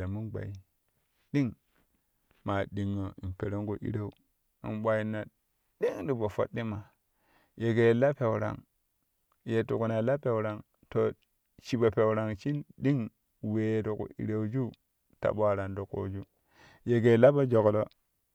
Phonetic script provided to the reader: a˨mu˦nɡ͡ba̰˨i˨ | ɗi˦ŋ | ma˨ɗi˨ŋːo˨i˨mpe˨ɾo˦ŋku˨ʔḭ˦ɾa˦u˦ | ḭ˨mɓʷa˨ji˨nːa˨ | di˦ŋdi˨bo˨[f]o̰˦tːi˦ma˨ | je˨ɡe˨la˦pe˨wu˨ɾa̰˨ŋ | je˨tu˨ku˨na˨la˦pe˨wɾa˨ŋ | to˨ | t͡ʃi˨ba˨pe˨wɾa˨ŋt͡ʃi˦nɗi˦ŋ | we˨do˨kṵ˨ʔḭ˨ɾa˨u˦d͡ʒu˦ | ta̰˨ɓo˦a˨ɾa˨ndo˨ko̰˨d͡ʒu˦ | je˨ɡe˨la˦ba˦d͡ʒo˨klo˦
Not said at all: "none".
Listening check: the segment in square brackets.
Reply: f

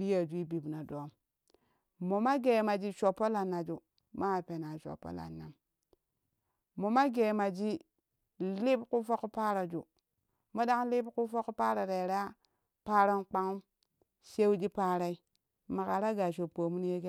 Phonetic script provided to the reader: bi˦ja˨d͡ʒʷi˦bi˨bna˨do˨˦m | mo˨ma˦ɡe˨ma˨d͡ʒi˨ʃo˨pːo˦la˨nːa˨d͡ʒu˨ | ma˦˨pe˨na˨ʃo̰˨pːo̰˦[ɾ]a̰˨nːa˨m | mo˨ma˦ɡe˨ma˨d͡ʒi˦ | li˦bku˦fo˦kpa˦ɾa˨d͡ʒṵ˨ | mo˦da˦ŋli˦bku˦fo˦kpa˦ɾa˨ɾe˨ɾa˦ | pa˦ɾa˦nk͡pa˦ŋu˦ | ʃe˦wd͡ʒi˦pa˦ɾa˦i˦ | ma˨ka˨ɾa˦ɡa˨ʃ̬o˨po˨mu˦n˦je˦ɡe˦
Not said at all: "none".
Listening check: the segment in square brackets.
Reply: l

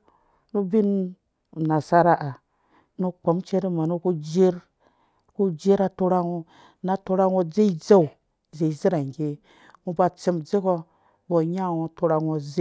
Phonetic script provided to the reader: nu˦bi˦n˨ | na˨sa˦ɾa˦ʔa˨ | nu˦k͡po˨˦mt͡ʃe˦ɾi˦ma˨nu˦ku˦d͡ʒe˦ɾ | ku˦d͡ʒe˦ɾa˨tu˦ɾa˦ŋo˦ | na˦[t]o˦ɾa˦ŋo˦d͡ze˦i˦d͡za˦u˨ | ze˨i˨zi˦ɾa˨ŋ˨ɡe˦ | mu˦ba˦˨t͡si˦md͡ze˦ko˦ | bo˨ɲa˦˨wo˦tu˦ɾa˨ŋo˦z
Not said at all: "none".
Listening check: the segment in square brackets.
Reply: t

